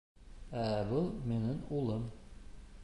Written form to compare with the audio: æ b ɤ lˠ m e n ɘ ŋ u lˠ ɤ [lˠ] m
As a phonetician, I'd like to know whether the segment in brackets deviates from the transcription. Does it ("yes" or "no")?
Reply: yes